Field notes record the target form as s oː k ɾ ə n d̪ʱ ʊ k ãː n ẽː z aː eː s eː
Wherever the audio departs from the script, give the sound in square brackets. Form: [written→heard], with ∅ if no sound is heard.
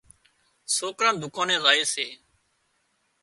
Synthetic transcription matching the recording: s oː k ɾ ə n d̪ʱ ʊ k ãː n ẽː z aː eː s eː

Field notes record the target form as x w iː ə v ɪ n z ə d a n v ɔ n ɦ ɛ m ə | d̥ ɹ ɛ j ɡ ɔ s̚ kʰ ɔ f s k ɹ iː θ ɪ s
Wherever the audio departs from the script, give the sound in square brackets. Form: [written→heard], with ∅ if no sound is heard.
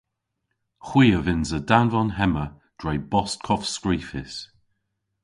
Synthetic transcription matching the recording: x w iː ə v ɪ n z ə d a n v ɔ n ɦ ɛ m ə | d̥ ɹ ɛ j [ɡ→b] ɔ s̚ kʰ ɔ f s k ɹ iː [θ→f] ɪ s

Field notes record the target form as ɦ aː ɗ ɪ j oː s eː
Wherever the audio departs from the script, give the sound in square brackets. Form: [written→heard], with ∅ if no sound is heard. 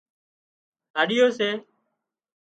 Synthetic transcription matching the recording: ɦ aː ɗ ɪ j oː s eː

